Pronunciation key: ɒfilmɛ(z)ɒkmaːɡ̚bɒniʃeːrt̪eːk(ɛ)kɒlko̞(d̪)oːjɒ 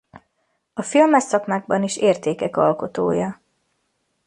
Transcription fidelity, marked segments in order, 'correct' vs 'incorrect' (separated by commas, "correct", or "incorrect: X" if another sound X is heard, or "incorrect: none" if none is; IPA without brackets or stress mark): incorrect: s, correct, incorrect: t̪